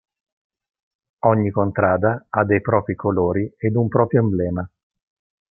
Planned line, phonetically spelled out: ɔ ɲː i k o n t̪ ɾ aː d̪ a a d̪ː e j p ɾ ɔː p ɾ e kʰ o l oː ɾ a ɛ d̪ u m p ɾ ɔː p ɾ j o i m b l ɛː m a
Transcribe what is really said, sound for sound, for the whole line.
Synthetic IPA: ɔ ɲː i k o n t̪ ɾ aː d̪ a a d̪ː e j p ɾ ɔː p ɾ i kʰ o l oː ɾ i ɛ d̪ u m p ɾ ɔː p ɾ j o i m b l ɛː m a